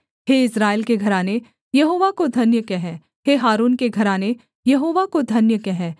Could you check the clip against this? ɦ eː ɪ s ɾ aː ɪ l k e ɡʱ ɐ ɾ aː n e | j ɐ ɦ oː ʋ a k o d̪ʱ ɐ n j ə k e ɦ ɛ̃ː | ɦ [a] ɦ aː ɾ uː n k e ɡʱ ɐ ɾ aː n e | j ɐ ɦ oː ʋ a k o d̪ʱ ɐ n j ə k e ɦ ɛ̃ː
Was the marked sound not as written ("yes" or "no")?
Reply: yes